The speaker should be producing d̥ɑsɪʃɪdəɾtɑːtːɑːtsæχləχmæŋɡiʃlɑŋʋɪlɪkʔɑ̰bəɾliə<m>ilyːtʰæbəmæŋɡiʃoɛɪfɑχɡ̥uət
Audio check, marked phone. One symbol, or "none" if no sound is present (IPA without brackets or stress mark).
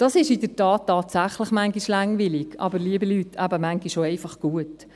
b